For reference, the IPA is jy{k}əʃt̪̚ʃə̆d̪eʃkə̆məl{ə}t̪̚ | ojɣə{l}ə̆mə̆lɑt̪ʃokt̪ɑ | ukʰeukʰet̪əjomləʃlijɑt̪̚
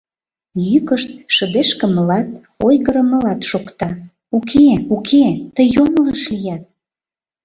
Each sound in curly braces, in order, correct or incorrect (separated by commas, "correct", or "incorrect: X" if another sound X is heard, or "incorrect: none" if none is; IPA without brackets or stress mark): correct, incorrect: ɑ, incorrect: ɾ